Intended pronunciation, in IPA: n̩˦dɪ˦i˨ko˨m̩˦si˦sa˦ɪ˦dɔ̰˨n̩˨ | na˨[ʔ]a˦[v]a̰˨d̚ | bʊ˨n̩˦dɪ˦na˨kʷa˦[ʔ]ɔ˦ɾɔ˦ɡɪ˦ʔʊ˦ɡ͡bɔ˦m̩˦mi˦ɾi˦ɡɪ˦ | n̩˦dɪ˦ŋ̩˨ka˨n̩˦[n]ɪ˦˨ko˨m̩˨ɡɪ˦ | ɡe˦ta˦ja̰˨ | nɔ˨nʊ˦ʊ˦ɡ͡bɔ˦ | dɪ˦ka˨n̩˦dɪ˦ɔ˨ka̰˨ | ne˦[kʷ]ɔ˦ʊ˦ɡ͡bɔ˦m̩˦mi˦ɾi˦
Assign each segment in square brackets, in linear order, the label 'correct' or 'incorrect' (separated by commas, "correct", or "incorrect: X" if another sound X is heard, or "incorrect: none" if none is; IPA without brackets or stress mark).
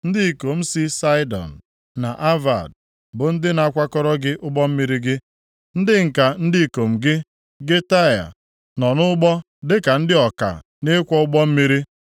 correct, correct, incorrect: k, incorrect: d, correct